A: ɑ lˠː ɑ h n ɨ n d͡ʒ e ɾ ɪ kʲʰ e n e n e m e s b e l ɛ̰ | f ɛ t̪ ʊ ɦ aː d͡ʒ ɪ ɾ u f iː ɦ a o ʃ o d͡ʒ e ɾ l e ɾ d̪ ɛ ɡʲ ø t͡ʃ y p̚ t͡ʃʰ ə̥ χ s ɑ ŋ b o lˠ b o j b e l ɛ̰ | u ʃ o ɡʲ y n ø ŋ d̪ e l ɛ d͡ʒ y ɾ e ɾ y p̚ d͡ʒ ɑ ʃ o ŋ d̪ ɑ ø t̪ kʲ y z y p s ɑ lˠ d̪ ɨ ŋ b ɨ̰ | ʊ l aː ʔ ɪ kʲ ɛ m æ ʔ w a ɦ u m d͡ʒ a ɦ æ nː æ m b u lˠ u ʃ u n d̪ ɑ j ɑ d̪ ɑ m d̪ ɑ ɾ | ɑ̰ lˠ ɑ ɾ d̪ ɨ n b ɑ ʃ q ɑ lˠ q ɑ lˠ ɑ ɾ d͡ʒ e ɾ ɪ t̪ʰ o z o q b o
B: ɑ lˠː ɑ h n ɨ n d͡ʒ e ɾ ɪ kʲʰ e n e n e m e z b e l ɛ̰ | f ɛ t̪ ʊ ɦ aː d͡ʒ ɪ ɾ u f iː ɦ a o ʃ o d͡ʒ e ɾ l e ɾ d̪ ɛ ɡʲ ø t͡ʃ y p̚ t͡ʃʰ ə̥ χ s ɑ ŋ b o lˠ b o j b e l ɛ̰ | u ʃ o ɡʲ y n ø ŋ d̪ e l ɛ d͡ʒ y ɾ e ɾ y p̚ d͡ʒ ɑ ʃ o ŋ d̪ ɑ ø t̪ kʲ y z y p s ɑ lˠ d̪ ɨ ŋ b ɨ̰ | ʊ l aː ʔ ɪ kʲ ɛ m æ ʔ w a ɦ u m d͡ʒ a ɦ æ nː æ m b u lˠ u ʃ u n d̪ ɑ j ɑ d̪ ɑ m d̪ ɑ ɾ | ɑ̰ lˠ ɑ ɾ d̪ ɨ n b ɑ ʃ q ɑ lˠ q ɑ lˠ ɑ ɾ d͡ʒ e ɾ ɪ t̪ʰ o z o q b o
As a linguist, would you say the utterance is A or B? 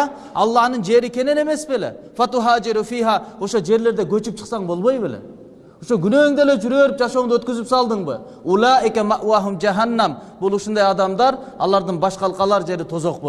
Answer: A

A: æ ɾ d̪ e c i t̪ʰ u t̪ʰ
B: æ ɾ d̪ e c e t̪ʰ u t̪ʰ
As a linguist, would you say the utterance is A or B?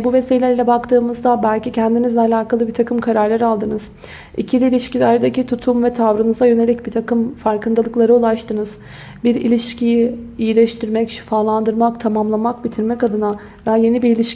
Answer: A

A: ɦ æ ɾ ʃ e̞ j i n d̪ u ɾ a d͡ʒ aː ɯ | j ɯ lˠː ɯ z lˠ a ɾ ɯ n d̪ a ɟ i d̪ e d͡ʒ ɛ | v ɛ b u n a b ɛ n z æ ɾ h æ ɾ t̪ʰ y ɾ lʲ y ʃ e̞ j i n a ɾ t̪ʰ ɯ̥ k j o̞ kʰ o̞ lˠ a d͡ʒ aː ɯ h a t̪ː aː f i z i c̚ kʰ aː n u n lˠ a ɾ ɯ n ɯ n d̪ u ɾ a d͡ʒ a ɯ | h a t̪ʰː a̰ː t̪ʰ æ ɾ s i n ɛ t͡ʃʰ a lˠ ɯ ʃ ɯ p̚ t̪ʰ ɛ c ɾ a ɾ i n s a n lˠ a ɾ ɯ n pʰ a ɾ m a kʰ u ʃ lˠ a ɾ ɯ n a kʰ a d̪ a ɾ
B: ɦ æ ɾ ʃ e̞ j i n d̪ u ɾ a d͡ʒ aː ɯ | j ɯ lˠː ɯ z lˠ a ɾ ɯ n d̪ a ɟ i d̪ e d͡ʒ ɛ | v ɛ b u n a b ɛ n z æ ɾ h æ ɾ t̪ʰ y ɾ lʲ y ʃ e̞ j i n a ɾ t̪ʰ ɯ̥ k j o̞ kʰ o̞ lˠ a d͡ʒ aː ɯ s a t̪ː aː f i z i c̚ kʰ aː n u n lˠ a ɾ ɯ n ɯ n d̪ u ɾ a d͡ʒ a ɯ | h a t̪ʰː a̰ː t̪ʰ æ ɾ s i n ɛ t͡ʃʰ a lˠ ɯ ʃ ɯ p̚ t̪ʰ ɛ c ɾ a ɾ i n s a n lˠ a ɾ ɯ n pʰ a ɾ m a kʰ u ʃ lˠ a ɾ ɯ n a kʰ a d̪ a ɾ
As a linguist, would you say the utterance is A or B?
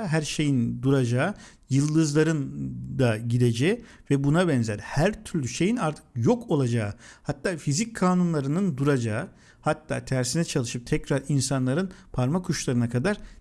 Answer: A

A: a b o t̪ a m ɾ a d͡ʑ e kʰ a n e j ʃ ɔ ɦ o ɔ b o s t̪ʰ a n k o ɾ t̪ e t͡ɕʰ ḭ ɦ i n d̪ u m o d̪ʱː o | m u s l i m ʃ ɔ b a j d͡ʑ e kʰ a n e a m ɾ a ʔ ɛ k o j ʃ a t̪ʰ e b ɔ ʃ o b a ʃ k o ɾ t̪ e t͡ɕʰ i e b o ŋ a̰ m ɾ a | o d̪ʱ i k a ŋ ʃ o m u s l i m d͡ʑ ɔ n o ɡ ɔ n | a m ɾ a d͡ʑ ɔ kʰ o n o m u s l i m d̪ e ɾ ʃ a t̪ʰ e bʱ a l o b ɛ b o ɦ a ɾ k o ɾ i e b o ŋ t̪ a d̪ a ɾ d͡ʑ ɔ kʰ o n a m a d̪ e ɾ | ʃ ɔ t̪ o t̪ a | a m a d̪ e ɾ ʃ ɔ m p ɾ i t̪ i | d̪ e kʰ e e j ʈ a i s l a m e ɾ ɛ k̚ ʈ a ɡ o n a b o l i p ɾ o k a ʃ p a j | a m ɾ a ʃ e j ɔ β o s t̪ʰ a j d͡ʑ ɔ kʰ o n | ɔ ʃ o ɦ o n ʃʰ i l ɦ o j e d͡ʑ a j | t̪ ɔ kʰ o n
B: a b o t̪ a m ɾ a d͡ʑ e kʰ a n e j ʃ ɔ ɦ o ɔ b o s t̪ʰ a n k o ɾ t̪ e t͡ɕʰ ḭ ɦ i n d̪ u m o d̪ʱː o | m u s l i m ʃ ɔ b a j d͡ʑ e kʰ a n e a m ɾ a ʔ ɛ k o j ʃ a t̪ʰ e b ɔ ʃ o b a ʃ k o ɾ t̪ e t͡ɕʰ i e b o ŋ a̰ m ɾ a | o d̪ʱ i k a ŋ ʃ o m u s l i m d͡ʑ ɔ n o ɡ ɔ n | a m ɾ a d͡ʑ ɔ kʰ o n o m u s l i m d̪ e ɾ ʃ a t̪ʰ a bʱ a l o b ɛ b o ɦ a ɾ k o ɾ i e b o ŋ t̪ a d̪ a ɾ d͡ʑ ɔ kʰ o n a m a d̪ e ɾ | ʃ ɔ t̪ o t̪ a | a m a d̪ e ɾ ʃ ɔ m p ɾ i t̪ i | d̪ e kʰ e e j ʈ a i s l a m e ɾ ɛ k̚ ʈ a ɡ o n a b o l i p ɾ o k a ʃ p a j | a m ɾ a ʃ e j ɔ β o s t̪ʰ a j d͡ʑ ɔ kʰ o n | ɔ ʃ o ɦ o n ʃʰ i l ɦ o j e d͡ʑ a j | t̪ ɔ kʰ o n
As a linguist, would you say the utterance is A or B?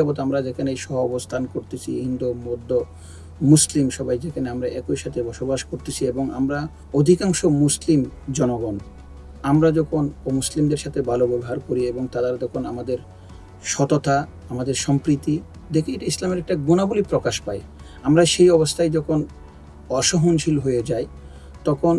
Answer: A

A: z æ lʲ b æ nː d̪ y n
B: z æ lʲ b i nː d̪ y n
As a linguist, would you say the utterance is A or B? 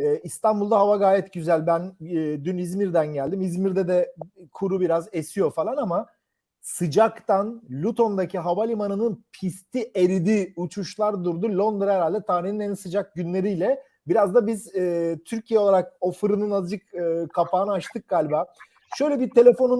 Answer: A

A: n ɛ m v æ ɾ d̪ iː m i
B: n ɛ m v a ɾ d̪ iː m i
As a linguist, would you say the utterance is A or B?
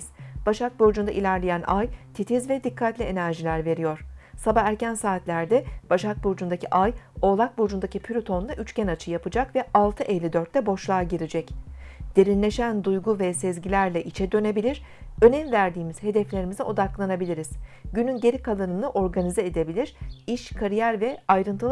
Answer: A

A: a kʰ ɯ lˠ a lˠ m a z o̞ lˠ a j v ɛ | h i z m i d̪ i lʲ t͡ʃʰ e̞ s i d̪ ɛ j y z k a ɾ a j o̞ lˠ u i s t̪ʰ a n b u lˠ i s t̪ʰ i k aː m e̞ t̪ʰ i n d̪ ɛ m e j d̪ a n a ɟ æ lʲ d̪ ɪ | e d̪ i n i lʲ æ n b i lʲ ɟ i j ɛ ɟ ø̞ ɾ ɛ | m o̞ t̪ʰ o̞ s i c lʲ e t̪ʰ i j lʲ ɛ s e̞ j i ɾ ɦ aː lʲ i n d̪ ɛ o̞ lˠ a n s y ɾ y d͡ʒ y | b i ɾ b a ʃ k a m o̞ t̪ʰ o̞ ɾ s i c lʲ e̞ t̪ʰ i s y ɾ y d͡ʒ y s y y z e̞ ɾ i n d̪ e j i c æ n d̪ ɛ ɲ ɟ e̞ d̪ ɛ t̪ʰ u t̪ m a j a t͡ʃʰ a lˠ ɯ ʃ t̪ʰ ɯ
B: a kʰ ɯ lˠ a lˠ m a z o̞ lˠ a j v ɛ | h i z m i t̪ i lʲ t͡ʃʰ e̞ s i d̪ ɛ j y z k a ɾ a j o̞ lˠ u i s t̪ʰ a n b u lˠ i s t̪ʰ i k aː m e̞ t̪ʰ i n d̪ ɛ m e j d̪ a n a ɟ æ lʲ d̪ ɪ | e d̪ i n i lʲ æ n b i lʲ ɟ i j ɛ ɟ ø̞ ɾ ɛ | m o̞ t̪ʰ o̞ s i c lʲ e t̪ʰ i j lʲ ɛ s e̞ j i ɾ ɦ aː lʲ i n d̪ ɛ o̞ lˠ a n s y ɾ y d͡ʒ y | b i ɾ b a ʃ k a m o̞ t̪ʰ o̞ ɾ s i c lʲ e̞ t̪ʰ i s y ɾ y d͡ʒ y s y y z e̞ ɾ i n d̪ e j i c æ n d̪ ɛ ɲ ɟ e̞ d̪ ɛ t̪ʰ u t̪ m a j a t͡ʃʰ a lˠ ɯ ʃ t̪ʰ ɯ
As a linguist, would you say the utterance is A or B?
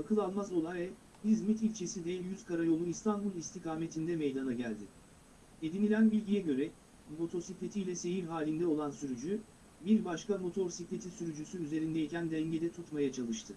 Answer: B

